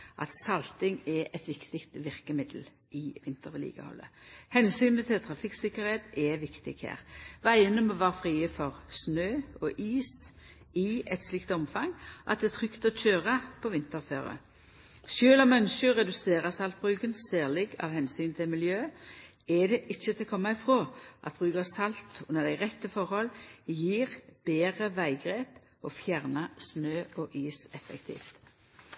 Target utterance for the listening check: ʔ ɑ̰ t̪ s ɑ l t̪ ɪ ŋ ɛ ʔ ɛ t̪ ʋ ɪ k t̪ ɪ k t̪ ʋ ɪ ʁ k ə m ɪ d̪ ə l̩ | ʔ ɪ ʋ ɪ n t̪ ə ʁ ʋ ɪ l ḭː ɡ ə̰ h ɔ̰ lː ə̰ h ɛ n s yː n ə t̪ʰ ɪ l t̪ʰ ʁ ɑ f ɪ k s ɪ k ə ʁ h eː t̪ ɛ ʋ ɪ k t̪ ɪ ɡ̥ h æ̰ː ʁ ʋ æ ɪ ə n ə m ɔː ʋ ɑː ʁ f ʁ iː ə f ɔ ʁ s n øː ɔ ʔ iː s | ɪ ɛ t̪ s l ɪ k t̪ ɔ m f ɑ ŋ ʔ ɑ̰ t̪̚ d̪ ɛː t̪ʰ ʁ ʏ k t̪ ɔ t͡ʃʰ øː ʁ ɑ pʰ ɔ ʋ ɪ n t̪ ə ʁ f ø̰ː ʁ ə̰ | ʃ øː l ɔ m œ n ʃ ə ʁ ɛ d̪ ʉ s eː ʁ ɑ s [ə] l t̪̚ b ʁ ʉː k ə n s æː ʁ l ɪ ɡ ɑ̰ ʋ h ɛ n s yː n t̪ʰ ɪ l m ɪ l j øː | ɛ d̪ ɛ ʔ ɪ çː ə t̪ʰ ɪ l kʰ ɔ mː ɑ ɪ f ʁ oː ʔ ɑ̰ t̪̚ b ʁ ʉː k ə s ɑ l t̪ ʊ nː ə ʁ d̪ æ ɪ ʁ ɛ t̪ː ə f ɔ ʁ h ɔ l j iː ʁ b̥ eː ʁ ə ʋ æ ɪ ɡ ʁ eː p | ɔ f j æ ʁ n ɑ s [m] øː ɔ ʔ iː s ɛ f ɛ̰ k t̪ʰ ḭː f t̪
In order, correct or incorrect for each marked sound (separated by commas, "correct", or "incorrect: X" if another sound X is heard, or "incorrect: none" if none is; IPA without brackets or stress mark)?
incorrect: ɑ, incorrect: n